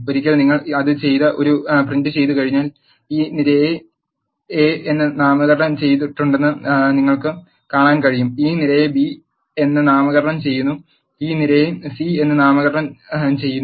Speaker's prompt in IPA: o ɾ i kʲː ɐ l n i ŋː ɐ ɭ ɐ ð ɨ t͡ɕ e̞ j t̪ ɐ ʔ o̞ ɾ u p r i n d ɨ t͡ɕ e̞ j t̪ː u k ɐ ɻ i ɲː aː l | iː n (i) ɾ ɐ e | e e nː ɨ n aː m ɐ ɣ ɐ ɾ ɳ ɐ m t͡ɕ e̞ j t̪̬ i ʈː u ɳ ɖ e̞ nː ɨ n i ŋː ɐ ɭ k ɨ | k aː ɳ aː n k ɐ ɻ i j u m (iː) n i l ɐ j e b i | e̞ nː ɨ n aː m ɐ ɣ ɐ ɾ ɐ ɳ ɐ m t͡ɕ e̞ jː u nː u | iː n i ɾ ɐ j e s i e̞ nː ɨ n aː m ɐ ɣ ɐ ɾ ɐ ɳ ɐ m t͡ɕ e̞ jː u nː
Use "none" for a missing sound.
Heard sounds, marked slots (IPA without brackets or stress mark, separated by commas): i, iː